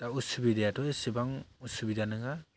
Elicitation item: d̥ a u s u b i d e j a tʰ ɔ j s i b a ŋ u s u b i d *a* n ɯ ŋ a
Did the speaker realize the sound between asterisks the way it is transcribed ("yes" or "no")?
yes